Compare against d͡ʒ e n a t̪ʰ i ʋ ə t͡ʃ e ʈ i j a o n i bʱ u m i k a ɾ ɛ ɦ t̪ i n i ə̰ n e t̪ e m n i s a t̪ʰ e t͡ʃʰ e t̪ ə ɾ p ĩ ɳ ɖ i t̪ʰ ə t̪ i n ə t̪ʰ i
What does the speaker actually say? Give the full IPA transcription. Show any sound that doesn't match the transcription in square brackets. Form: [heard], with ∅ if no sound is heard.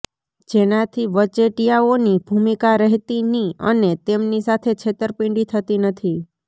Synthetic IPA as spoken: d͡ʒ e n a t̪ʰ i ʋ ə t͡ʃ e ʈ i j a o n i bʱ u m i k a ɾ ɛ ɦ t̪ i n i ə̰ n e t̪ e m n i s a t̪ʰ e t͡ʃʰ e t̪ ə ɾ p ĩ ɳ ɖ i t̪ʰ ə t̪ i n ə t̪ʰ i